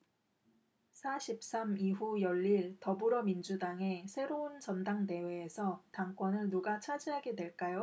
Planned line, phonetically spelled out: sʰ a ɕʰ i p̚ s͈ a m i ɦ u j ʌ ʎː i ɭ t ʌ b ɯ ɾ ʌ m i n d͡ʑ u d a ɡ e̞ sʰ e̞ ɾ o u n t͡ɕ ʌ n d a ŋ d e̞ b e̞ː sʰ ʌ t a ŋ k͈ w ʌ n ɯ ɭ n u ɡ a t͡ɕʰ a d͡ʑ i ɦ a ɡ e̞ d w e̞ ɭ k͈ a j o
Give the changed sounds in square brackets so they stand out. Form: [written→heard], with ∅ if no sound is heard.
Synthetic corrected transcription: sʰ a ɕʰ i p̚ s͈ a m i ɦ u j ʌ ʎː i ɭ t ʌ b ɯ ɾ ʌ m i n d͡ʑ u d a [ɡ→ŋ] e̞ sʰ e̞ ɾ o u n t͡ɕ ʌ n d a ŋ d e̞ [b→w] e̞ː sʰ ʌ t a ŋ k͈ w ʌ n ɯ ɭ n u ɡ a t͡ɕʰ a d͡ʑ i ɦ a ɡ e̞ d w e̞ ɭ k͈ a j o